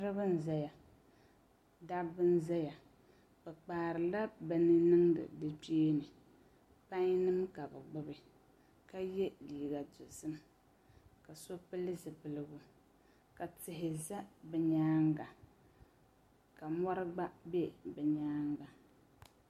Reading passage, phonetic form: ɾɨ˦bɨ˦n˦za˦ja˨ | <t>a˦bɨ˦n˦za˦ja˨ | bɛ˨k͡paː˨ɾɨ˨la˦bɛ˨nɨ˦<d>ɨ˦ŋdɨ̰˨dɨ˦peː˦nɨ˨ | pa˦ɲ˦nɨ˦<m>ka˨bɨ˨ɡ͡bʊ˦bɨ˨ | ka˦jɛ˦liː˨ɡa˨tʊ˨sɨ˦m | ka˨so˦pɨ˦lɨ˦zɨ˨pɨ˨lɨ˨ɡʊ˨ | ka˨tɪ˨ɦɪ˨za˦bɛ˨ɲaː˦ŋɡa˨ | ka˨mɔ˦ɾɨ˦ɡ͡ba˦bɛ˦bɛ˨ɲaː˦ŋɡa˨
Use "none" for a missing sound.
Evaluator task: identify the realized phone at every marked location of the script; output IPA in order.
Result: d, n, m

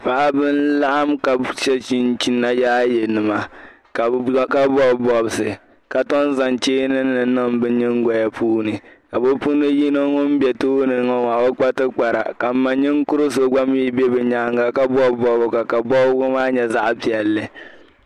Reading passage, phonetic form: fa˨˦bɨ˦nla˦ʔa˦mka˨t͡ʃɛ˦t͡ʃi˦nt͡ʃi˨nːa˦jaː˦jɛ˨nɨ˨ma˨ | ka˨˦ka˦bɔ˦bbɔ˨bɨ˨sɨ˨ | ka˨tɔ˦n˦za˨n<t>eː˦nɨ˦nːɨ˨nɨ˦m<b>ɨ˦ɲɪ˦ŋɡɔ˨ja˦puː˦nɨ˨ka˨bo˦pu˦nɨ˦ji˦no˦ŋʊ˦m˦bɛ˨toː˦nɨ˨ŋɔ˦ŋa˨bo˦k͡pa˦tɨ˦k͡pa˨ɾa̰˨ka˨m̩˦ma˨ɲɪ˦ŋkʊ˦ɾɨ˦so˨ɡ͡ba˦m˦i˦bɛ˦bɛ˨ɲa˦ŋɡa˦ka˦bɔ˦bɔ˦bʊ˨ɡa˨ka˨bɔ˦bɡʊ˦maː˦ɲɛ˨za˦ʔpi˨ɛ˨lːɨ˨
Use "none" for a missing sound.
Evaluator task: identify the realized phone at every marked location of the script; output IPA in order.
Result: t͡ʃ, b

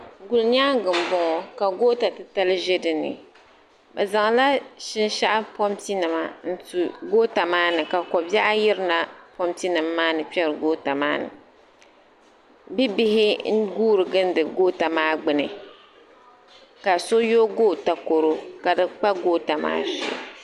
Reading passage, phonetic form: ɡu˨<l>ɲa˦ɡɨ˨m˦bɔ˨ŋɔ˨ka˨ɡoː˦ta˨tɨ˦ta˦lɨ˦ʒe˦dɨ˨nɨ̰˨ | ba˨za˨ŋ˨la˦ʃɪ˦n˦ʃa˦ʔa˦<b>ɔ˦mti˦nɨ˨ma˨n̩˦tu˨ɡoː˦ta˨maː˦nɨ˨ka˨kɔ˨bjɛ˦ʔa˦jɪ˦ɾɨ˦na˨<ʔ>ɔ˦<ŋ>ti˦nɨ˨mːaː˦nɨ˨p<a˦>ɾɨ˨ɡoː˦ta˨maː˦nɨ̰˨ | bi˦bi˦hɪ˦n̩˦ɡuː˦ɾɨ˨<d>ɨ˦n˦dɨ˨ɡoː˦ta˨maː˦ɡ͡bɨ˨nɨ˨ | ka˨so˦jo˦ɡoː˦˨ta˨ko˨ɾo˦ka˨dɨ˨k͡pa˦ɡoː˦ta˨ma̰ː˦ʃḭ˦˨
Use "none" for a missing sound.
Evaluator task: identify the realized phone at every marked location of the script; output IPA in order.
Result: l, p, p, m, ɛ˦, ɡ

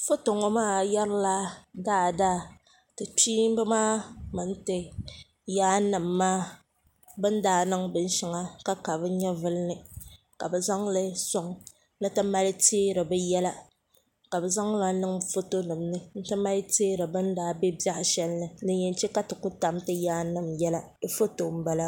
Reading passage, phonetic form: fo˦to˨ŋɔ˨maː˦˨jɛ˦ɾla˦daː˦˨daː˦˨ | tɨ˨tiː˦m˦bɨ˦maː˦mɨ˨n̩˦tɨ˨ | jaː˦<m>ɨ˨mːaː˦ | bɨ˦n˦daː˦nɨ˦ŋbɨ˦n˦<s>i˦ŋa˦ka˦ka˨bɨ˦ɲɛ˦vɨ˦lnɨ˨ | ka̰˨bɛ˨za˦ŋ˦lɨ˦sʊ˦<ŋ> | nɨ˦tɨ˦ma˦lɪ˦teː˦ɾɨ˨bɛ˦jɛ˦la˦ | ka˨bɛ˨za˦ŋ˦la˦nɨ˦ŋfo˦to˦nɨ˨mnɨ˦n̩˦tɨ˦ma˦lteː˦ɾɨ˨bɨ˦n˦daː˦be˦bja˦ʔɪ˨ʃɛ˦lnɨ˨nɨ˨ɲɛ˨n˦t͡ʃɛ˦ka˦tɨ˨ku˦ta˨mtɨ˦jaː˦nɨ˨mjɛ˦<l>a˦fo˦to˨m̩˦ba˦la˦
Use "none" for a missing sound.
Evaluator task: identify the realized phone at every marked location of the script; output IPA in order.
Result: n, ʃ, ŋ, l

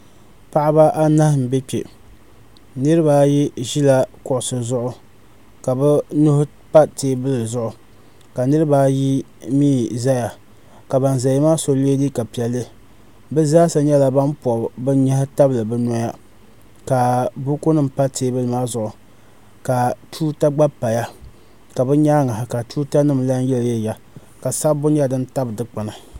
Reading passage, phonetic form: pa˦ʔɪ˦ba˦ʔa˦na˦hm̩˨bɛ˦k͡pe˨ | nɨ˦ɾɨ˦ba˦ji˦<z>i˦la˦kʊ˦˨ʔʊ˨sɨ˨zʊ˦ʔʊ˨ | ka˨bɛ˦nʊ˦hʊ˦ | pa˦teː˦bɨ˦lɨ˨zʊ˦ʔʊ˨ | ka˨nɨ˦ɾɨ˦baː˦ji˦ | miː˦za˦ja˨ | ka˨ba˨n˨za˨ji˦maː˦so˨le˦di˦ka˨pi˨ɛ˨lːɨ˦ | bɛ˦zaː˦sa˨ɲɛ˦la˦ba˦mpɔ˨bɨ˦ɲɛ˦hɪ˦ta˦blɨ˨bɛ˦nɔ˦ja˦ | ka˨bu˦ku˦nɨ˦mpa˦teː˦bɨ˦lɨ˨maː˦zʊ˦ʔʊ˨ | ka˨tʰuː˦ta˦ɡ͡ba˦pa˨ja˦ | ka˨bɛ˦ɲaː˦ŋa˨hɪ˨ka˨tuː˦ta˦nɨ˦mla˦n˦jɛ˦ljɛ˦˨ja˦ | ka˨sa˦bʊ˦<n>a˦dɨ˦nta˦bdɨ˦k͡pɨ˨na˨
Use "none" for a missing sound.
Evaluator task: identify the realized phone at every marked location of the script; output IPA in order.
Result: ʒ, ɲ

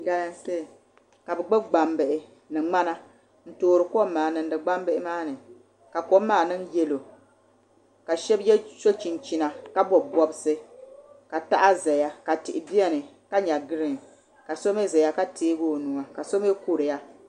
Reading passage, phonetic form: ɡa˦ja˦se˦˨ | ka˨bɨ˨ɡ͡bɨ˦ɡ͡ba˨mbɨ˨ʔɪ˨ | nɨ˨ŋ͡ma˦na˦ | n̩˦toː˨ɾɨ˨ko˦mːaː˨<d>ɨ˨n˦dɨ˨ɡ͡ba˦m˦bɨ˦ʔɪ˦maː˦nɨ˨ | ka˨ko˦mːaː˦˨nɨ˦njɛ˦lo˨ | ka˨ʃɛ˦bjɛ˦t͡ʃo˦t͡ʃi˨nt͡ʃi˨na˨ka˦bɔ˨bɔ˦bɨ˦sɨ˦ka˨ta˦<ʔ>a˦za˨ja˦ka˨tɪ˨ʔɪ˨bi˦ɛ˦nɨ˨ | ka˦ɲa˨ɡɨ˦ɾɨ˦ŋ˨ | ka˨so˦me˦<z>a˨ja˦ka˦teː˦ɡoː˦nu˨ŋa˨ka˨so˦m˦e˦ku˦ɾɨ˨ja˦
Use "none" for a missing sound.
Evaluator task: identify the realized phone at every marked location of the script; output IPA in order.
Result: n, ʔ, z

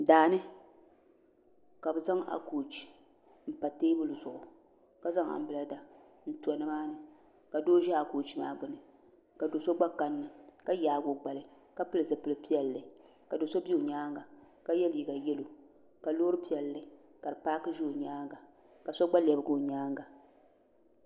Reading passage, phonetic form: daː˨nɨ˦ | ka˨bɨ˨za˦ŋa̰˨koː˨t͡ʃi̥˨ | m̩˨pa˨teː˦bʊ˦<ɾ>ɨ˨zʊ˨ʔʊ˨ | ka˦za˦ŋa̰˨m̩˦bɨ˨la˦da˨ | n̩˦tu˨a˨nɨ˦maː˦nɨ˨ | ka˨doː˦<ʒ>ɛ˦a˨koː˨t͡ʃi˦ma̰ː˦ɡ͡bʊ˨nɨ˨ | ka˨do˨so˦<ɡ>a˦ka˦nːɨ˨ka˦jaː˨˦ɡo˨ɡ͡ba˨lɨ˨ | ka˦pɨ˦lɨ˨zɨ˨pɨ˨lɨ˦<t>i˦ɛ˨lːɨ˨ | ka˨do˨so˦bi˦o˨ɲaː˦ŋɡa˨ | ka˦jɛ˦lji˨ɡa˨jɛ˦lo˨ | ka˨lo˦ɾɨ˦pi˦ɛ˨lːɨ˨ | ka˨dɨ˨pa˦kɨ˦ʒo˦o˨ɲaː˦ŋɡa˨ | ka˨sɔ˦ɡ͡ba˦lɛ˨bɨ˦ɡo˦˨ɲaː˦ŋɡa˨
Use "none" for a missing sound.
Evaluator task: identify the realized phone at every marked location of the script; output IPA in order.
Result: l, ʒ, ɡ͡b, p

